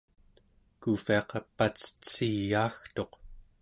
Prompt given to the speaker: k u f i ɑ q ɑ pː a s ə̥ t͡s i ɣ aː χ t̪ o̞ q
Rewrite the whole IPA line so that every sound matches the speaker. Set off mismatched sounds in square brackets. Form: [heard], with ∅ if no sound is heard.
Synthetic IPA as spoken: k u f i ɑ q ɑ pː a [t͡s] ə̥ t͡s i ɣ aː [x] t̪ o̞ q